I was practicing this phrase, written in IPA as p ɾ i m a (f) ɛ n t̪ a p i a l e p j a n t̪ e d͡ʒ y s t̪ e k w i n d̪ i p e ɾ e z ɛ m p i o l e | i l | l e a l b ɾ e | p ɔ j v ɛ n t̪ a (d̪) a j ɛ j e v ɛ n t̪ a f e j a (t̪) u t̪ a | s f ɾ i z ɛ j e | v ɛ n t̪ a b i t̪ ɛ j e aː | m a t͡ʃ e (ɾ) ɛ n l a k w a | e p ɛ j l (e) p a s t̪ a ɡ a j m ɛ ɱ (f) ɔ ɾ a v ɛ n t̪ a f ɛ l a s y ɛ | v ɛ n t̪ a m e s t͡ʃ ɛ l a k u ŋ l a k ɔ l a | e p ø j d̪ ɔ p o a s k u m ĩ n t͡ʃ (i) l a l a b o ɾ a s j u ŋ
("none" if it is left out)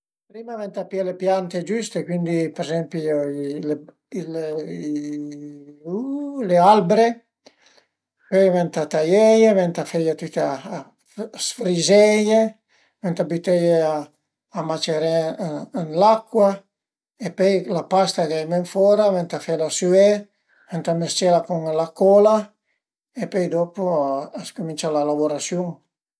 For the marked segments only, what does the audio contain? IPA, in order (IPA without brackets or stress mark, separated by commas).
v, t̪, t̪, ɾ, a, f, a